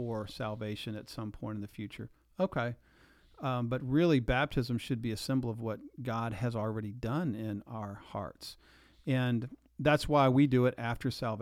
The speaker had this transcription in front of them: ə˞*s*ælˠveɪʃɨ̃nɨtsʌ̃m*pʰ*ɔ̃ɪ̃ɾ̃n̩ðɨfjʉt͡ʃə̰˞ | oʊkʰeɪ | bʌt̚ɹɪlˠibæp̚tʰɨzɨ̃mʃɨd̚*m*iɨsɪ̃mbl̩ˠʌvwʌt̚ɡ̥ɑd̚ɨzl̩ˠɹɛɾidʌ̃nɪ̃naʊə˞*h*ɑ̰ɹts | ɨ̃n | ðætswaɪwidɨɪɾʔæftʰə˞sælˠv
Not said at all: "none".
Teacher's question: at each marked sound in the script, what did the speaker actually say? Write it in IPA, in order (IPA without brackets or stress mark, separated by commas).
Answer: s, pʰ, b, h